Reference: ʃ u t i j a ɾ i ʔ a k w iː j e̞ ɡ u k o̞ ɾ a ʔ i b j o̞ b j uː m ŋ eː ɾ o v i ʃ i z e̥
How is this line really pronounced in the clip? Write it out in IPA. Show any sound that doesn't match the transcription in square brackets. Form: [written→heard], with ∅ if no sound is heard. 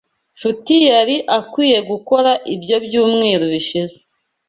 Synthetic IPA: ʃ u t i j a ɾ i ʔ a k w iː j e̞ ɡ u k o̞ ɾ a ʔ i b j o̞ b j uː m ŋ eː ɾ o [v→β] i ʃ i z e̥

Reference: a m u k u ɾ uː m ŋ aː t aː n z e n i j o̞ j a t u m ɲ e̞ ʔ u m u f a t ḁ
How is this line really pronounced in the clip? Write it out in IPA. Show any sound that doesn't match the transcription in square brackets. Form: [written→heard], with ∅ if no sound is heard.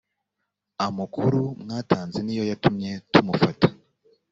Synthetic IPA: a m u k u ɾ [uː→u] m ŋ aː t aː n z e n i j o̞ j a t u m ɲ e̞ [ʔ→t] u m u f a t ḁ

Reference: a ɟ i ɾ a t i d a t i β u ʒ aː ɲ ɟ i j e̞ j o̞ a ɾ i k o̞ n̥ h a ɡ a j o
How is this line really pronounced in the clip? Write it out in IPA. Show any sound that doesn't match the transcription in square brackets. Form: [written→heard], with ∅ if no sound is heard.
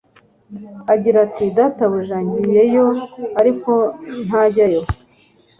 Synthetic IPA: a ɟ i ɾ a t i d a t [i→a] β u ʒ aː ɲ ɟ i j e̞ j o̞ a ɾ i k o̞ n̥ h a [ɡ→ɟ] a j o

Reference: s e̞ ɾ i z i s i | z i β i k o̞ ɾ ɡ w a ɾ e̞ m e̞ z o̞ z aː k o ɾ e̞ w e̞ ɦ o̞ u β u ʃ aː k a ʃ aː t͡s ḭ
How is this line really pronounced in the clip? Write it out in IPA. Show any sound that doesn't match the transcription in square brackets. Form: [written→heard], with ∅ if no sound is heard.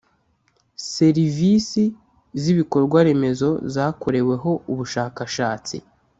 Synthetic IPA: s e̞ ɾ i [z→v] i s i | z i β i k o̞ ɾ ɡ w a ɾ e̞ m e̞ z o̞ z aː k o ɾ e̞ w e̞ ɦ o̞ u β u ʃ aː k a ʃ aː t͡s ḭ

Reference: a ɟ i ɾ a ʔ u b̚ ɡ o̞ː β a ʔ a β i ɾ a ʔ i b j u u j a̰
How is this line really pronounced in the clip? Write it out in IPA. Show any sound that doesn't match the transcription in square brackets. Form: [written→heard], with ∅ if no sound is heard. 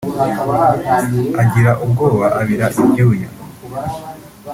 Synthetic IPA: a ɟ i ɾ a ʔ u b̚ ɡ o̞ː β a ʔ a β i ɾ a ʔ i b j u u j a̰

